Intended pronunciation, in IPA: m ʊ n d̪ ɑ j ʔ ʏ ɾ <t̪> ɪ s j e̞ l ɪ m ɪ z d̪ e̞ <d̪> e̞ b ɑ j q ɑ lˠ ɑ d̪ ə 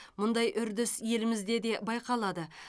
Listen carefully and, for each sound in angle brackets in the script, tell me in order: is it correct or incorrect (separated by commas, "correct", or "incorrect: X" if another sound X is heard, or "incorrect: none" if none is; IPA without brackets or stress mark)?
incorrect: d̪, correct